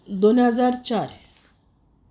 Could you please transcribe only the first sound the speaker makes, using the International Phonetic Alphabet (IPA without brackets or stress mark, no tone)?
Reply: d̪